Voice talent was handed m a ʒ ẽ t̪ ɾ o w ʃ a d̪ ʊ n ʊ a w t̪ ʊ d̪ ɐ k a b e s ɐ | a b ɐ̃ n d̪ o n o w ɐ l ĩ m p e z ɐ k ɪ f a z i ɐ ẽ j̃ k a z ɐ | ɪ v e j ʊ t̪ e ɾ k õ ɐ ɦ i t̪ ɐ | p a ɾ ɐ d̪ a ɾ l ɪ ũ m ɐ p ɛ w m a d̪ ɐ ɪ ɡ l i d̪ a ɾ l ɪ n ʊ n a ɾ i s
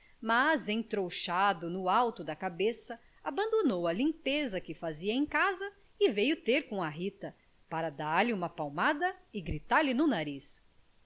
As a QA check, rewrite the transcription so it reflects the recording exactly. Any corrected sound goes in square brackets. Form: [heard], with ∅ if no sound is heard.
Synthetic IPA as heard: m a [z] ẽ t̪ ɾ o w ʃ a d̪ ʊ n ʊ a w t̪ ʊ d̪ ɐ k a b e s ɐ | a b ɐ̃ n d̪ o n o w ɐ l ĩ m p e z ɐ k ɪ f a z i ɐ ẽ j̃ k a z ɐ | ɪ v e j ʊ t̪ e ɾ k õ ɐ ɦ i t̪ ɐ | p a ɾ ɐ d̪ a ɾ l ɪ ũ m ɐ p [a] w m a d̪ ɐ ɪ ɡ [ɾ] i [t̪] a ɾ l ɪ n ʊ n a ɾ i s

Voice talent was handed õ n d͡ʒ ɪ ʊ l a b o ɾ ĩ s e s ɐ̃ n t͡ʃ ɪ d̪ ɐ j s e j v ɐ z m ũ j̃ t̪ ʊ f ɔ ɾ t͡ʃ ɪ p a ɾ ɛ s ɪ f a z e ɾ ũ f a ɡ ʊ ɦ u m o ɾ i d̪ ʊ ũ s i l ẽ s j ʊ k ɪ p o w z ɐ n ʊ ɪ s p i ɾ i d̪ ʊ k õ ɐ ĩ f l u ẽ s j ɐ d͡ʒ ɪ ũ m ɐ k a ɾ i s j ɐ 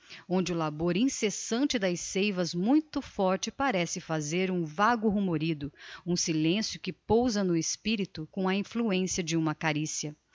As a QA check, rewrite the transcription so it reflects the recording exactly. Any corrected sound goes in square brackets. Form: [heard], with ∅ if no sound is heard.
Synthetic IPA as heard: õ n d͡ʒ ɪ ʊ l a b o ɾ ĩ s e s ɐ̃ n t͡ʃ ɪ d̪ ɐ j s e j v ɐ z m ũ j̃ t̪ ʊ f ɔ ɾ t͡ʃ ɪ p a ɾ ɛ s ɪ f a z e ɾ ũ [v] a ɡ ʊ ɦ u m o ɾ i d̪ ʊ ũ s i l ẽ s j ʊ k ɪ p o w z ɐ n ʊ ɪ s p i ɾ i [t̪] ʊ k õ ɐ ĩ f l u ẽ s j ɐ d͡ʒ ɪ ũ m ɐ k a ɾ i s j ɐ

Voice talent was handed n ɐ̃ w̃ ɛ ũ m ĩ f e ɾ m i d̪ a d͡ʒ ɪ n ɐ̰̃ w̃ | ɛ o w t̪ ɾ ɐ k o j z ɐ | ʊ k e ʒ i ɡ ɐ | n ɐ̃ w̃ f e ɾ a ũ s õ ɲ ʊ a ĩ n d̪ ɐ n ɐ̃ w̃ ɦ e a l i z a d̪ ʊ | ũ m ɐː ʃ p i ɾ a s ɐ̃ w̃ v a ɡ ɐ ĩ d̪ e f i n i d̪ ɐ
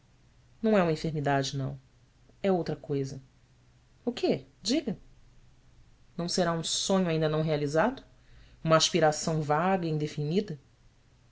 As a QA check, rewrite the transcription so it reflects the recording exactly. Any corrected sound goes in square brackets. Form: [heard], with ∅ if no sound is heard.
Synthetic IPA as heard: n ɐ̃ w̃ ɛ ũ m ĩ f e ɾ m i d̪ a d͡ʒ ɪ n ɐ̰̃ w̃ | ɛ o w t̪ ɾ ɐ k o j z ɐ | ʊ k e [d͡ʒ] i ɡ ɐ | n ɐ̃ w̃ [s] e ɾ a ũ s õ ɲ ʊ a ĩ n d̪ ɐ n ɐ̃ w̃ ɦ e a l i z a d̪ ʊ | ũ m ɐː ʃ p i ɾ a s ɐ̃ w̃ v a ɡ ɐ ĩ d̪ e f i n i d̪ ɐ

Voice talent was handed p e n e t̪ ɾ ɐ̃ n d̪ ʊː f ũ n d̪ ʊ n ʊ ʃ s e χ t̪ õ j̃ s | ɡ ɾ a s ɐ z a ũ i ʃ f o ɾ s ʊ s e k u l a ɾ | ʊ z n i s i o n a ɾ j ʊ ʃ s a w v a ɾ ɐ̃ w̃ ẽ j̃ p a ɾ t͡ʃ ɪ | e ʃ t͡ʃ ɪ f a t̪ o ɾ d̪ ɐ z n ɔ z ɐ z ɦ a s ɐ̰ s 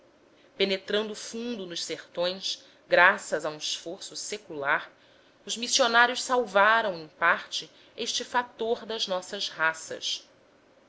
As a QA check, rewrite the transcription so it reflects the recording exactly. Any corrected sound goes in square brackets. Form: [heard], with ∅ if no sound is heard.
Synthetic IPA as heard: p e n e t̪ ɾ ɐ̃ n d̪ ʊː f ũ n d̪ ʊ n ʊ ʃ s e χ t̪ õ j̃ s | ɡ ɾ a s ɐ z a ũ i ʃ f o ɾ s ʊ s e k u l a ɾ | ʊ z [m] i s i o n a ɾ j ʊ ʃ s a w v a ɾ ɐ̃ w̃ ẽ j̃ p a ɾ t͡ʃ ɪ | e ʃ t͡ʃ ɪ f a t̪ o ɾ d̪ ɐ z n ɔ [s] ɐ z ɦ a s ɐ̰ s

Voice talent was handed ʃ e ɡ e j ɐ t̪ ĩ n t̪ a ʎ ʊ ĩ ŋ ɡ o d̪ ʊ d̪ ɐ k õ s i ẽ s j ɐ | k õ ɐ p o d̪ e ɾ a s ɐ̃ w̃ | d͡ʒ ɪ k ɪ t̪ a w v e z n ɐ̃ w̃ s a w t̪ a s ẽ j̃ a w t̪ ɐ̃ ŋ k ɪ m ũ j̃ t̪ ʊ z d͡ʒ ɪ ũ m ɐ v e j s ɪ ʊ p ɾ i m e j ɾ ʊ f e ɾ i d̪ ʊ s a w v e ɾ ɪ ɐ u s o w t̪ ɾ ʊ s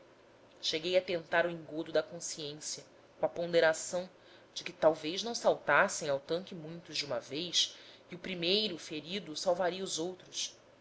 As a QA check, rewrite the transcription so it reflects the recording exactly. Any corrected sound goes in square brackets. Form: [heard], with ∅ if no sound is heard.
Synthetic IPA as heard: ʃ e ɡ e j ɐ t̪ [ẽ] n t̪ a [ɾ] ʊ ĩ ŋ ɡ o d̪ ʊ d̪ ɐ k õ s i ẽ s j ɐ | k õ ɐ p [õ] d̪ e ɾ a s ɐ̃ w̃ | d͡ʒ ɪ k ɪ t̪ a w v e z n ɐ̃ w̃ s a w t̪ a s ẽ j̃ a w t̪ ɐ̃ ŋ k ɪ m ũ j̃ t̪ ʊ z d͡ʒ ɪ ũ m ɐ v e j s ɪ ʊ p ɾ i m e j ɾ ʊ f e ɾ i d̪ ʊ s a w v [a] ɾ [i] ɐ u [z] o w t̪ ɾ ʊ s

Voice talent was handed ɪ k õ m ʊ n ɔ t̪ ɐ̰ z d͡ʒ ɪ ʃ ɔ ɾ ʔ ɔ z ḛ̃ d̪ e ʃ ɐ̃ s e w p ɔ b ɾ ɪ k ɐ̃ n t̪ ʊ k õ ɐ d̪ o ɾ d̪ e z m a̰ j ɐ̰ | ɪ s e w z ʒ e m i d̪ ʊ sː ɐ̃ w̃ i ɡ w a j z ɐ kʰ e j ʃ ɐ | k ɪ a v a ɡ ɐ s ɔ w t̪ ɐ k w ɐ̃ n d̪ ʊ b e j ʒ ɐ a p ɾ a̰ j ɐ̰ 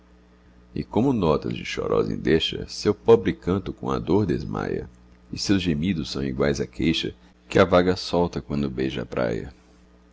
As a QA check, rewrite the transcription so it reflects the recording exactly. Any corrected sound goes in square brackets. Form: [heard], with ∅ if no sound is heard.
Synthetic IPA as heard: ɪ k õ m ʊ n ɔ t̪ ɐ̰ z d͡ʒ ɪ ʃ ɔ ɾ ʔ ɔ z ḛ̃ d̪ e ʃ [ɐ] s e w p ɔ b ɾ ɪ k ɐ̃ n t̪ ʊ k õ ɐ d̪ o ɾ d̪ e z m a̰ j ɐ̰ | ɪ s e w z ʒ e m i d̪ ʊ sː ɐ̃ w̃ i ɡ w a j z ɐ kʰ e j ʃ ɐ | k ɪ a v a ɡ ɐ s ɔ w t̪ ɐ k w ɐ̃ n d̪ ʊ b e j ʒ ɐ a p ɾ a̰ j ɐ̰

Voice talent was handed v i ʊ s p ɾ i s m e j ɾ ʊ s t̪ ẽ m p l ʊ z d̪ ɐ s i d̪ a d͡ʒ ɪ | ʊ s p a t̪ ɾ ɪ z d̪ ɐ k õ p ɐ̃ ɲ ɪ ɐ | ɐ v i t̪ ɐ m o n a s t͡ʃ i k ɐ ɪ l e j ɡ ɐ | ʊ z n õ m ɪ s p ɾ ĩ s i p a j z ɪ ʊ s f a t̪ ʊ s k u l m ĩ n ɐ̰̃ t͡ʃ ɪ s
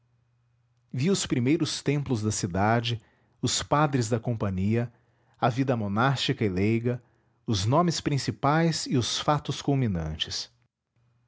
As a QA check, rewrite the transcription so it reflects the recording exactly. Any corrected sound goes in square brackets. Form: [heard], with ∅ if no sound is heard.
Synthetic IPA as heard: v i ʊ s p ɾ i [∅] m e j ɾ ʊ s t̪ ẽ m p l ʊ z d̪ ɐ s i d̪ a d͡ʒ ɪ | ʊ s p a [d̪] ɾ ɪ z d̪ ɐ k õ p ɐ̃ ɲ [i] ɐ | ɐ v i [d̪] ɐ m o n a s t͡ʃ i k ɐ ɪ l e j ɡ ɐ | ʊ z n õ m ɪ s p ɾ ĩ s i p a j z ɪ ʊ s f a t̪ ʊ s k u l m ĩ n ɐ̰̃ t͡ʃ ɪ s

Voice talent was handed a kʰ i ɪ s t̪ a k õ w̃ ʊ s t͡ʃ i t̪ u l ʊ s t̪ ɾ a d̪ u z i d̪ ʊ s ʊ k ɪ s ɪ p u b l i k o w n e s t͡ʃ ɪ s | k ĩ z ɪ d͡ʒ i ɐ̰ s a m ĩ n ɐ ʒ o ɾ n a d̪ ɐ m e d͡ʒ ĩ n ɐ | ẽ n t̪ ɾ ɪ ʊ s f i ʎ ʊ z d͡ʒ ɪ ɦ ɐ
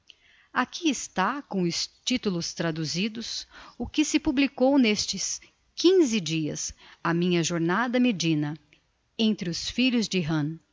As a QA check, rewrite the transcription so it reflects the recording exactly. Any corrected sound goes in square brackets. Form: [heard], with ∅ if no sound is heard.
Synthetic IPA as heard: a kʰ i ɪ s t̪ a k õ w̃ ʊ s t͡ʃ i t̪ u l ʊ s t̪ ɾ a d̪ u z i d̪ ʊ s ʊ k ɪ s ɪ p u b l i k o w n e s t͡ʃ ɪ s | k ĩ z ɪ d͡ʒ i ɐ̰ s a m ĩ [ɲ] ɐ ʒ o ɾ n a d̪ ɐ m e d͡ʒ ĩ n ɐ | ẽ n t̪ ɾ ɪ ʊ s f i ʎ ʊ z d͡ʒ ɪ ɦ [ɐ̃]

